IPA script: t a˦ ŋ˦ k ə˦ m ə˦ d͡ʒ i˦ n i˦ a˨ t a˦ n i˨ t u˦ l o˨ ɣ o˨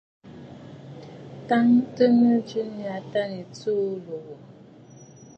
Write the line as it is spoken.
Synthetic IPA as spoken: t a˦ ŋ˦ t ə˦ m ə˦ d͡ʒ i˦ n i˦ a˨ t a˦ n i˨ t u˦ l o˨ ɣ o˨